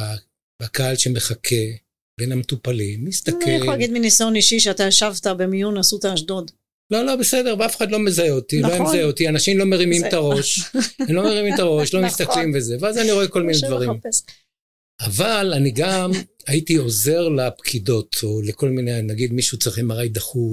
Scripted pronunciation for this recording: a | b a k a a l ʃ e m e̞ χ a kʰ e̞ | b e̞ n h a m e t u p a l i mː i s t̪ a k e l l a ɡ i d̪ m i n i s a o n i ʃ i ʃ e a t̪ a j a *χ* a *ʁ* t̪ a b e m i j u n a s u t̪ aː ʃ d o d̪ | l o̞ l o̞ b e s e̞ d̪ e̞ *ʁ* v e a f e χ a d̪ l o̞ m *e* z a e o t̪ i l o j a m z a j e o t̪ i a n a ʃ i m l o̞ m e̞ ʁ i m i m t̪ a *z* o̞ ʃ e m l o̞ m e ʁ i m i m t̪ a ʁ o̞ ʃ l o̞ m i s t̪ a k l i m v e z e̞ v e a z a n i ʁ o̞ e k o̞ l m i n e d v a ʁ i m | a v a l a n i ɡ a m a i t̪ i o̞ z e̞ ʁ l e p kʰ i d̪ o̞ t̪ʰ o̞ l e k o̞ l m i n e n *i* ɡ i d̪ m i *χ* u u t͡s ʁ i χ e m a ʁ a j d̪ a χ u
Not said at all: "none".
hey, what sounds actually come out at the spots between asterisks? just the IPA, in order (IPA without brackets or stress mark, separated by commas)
ʃ, v, ʁ, e, ʁ, a, ʃ